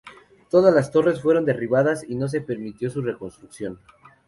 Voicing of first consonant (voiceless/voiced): voiceless